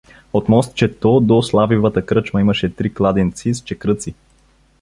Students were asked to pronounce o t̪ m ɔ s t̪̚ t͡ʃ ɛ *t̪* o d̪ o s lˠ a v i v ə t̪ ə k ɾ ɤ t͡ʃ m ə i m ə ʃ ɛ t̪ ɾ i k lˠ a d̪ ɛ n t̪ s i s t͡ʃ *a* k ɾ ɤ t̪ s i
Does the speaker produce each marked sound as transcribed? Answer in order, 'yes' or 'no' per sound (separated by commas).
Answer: yes, no